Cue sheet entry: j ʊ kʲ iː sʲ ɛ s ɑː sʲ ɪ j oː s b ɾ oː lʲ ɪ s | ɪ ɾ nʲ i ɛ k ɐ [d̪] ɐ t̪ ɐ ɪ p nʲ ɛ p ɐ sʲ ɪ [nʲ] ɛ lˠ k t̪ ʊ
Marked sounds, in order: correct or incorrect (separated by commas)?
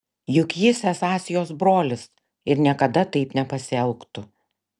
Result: correct, incorrect